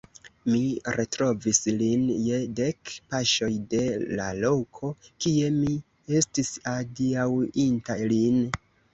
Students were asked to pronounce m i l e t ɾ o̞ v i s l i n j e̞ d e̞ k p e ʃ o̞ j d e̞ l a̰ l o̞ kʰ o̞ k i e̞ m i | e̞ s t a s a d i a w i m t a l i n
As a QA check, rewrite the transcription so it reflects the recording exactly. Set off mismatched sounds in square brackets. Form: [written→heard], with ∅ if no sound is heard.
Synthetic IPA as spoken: m i [l→ɾ] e t ɾ o̞ v i s l i n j e̞ d e̞ k p [e→a] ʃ o̞ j d e̞ l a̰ l o̞ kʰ o̞ k i e̞ m i | e̞ s t [a→i] s a d i a w i [m→n] t a l i n